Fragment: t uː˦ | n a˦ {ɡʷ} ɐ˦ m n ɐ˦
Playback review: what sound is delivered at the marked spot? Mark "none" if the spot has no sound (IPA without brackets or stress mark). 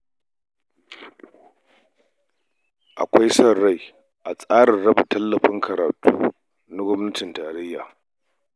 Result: ɡʷ